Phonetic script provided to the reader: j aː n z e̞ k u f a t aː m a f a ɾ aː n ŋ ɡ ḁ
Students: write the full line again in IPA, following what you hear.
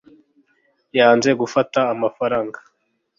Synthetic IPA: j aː n z e̞ ɡ u f a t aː m a f a ɾ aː ŋ ɡ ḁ

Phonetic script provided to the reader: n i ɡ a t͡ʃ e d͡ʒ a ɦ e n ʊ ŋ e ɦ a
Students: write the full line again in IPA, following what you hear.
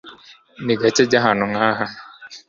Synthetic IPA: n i ɡ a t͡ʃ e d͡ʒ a ɦ a n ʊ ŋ a ɦ a

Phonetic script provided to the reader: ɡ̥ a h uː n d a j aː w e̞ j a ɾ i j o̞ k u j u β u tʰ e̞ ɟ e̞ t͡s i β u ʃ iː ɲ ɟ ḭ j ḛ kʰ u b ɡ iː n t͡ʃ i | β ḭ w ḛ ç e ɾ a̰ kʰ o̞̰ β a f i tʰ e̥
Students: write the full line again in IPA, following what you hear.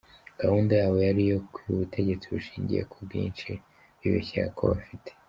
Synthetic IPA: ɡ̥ a h uː n d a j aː w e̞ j a ɾ i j o̞ k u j u β u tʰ e̞ ɟ e̞ t͡s i β u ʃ iː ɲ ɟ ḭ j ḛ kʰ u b ɡ iː n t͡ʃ i | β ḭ β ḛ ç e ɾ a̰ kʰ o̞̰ β a f i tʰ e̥

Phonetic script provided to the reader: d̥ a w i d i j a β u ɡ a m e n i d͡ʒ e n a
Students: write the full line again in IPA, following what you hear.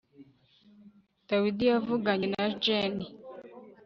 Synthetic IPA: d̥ a w i d i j a v u ɡ a ɲ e n a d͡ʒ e n i

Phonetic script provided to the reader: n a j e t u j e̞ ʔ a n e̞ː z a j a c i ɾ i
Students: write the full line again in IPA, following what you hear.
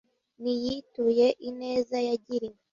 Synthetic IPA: n i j i t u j e̞ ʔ i n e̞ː z a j a ɟ i ɾ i

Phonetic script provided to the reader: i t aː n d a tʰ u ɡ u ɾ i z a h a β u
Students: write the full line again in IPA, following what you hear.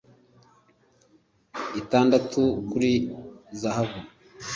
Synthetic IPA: i t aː n d a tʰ u k u ɾ i z a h a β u

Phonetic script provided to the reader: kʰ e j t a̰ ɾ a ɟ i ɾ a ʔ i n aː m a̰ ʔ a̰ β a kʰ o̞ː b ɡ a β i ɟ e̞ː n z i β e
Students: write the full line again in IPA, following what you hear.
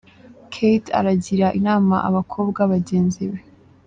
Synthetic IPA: kʰ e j t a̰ ɾ a ɟ i ɾ a ʔ i n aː m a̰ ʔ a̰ β a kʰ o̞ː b ɡ a β a ɟ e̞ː n z i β e

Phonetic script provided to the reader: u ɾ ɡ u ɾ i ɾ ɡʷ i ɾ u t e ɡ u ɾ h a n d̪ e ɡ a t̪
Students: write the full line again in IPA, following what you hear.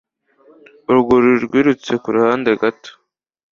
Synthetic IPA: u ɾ ɡ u ɾ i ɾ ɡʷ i ɾ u t͡s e k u ɾ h a n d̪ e ɡ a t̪

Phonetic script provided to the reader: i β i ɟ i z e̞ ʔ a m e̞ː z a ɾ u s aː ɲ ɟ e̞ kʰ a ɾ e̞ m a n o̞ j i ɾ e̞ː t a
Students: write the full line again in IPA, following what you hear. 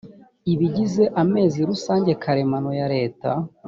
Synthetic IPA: i β i ɟ i z e̞ ʔ a m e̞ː z i ɾ u s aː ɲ ɟ e̞ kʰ a ɾ e̞ m a n o̞ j a ɾ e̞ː t a

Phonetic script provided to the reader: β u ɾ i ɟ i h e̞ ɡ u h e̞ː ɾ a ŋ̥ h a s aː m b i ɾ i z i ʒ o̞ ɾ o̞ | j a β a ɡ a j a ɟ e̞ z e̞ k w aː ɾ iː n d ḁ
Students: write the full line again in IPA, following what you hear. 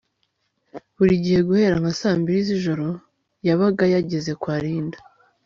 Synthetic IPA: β u ɾ i ɟ i h e̞ ɡ u h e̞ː ɾ a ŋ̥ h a s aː m b i ɾ i z i ʒ o̞ ɾ o̞ | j a β a ɡ a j a ɟ e̞ z e̞ k w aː ɾ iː n d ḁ

